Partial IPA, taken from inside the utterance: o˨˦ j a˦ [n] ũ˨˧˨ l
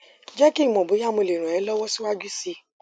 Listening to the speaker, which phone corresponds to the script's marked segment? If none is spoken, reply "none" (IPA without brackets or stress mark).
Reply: m